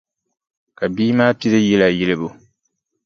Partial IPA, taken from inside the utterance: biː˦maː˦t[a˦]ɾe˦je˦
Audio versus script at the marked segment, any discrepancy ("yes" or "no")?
yes